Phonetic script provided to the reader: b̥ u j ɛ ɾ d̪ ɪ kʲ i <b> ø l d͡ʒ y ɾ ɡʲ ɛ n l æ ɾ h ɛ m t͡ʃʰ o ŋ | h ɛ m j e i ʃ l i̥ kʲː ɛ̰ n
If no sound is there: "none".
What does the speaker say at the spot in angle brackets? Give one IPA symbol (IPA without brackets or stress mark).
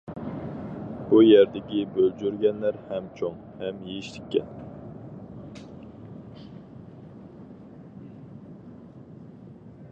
b